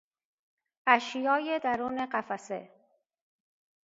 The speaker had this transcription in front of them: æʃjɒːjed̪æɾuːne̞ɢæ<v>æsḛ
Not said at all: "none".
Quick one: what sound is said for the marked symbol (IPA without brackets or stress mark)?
f